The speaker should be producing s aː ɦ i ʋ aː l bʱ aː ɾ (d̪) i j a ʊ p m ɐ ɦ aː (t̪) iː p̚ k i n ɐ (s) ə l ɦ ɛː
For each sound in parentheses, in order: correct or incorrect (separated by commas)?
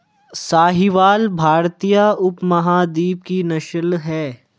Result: incorrect, incorrect, incorrect